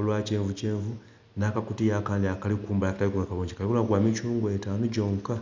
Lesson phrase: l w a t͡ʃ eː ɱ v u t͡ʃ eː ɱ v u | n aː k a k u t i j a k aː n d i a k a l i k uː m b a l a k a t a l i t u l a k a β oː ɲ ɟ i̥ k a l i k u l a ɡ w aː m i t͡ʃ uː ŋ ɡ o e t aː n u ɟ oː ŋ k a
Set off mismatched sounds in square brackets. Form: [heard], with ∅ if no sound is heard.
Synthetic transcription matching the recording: l w a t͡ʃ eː ɱ v u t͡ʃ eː ɱ v u | n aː k a k u t i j a k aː n d i a k a l i k uː m b a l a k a t a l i [k] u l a k a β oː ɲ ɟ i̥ k a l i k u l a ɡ w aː m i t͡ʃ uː ŋ ɡ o e t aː n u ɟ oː ŋ k a